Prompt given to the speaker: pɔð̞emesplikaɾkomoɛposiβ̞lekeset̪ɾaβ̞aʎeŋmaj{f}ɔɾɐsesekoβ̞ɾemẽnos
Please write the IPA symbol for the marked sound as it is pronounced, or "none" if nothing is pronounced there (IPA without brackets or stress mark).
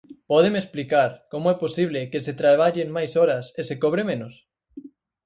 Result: s